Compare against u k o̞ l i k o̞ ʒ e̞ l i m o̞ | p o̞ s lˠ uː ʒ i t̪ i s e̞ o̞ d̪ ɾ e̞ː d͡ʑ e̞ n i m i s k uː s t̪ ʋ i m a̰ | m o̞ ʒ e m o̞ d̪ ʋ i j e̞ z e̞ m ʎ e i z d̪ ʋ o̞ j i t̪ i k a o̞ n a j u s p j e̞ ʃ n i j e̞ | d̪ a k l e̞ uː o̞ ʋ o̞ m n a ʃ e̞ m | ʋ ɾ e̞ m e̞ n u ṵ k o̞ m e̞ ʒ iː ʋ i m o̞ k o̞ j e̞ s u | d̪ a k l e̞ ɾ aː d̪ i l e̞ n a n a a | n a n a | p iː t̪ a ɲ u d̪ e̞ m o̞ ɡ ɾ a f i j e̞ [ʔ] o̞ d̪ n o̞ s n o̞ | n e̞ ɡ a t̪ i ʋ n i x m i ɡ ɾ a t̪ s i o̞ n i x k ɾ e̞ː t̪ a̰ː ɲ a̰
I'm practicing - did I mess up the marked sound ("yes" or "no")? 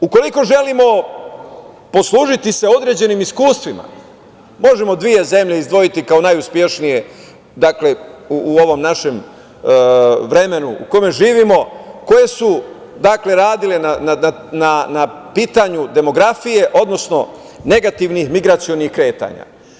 no